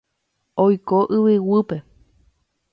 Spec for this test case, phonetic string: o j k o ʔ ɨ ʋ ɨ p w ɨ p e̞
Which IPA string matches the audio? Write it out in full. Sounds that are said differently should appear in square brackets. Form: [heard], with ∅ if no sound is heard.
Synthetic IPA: o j k o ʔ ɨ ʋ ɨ [∅] w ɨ p e̞

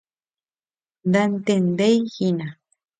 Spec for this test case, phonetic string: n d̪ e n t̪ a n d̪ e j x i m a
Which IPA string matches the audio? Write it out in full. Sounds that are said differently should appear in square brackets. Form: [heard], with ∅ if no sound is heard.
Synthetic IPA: n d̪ [a] n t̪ [e] n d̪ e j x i [n] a

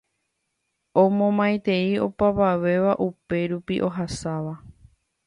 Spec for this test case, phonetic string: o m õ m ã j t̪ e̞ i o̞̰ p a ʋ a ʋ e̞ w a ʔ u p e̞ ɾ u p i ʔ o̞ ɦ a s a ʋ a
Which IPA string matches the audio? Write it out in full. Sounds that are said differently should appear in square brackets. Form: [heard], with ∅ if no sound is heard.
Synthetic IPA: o m õ m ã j t̪ e̞ i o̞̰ p a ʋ a ʋ e̞ [ʋ] a ʔ u p e̞ ɾ u p i ʔ o̞ ɦ a s a ʋ a

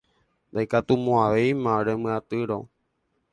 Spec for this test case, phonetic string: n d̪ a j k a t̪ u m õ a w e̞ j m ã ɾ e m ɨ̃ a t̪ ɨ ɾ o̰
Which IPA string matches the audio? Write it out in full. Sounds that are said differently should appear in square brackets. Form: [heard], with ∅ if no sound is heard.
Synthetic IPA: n d̪ a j k a t̪ u m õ a [ʋ] e̞ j m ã ɾ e m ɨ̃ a t̪ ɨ ɾ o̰

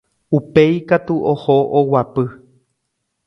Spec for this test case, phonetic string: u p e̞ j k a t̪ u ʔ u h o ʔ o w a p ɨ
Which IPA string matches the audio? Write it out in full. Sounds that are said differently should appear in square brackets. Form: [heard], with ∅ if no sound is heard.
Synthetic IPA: u p e̞ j k a t̪ u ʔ [o] h o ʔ o w a p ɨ

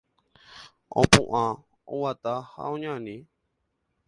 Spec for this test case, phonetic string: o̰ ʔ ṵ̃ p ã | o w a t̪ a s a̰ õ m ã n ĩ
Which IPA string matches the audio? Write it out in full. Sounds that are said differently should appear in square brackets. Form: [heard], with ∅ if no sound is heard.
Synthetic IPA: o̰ [p] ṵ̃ [ʔ] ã | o w a t̪ a [h] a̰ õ [ɲ] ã n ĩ

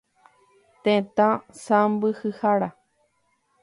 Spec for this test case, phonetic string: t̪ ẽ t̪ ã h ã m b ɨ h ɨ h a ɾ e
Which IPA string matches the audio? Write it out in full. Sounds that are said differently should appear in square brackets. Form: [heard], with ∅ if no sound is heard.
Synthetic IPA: t̪ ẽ t̪ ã [s] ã m b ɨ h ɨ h a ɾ [a]

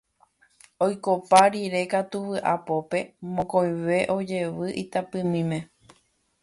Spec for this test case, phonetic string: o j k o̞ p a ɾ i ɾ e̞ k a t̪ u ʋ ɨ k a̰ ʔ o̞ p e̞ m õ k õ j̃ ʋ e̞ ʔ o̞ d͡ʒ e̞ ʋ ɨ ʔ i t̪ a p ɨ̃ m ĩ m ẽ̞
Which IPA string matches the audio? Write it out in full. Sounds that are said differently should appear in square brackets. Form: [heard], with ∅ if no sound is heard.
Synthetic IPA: o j k o̞ p a ɾ i ɾ e̞ k a t̪ u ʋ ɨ [ʔ] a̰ [p] o̞ p e̞ m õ k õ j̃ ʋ e̞ ʔ o̞ d͡ʒ e̞ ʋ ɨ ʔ i t̪ a p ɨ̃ m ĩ m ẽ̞

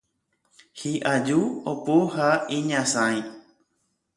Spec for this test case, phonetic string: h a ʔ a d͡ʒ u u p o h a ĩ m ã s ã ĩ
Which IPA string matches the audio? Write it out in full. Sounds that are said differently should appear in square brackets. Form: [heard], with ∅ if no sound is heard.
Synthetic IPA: h [i] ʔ a d͡ʒ u [o] p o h a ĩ [ɲ] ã s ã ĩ

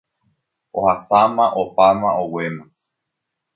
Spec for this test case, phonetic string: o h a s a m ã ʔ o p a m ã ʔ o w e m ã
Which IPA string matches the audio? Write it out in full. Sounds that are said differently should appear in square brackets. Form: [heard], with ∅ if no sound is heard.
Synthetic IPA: o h a s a m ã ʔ o p a m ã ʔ o w e m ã

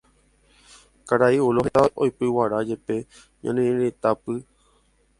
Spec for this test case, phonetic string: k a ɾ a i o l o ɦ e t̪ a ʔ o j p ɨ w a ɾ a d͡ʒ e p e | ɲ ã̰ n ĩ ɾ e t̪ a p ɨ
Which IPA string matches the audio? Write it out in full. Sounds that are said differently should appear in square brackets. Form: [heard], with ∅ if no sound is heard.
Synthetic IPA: k a ɾ a i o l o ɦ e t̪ a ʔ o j p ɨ w a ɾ a d͡ʒ e p e | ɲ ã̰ n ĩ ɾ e t̪ a p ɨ

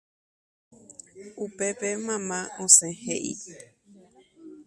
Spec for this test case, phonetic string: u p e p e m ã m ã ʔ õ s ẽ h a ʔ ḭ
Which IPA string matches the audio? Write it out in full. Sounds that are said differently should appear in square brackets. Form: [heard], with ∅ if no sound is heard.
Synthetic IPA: u p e p e m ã m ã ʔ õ s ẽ h [e] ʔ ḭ

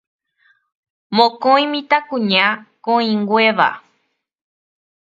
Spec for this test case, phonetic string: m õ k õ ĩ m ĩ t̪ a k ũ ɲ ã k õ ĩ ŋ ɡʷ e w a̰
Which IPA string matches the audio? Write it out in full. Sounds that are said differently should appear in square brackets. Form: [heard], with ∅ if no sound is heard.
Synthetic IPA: m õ k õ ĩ m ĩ t̪ a k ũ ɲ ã k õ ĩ ŋ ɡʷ e [ʋ] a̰

